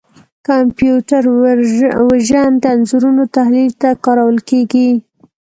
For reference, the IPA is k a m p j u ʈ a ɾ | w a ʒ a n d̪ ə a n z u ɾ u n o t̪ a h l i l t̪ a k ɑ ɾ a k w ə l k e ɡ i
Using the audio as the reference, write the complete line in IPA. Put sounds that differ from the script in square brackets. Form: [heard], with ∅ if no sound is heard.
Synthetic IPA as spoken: k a m p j u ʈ a ɾ | w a ʒ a n d̪ ə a n z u ɾ u n o t̪ a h l i l t̪ a k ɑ ɾ a [∅] w ə l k e ɡ i